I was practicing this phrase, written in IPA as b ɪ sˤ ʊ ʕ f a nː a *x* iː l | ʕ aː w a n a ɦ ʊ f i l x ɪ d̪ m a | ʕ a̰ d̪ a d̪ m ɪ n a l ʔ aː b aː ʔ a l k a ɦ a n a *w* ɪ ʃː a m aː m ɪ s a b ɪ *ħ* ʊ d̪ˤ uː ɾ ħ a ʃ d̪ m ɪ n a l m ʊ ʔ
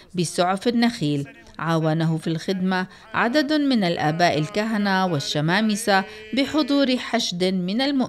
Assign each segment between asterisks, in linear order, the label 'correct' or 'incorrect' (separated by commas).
correct, correct, correct